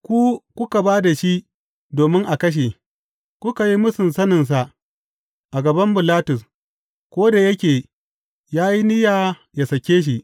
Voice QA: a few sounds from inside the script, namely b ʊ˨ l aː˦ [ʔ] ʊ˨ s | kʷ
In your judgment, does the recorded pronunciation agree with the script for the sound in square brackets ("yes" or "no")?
no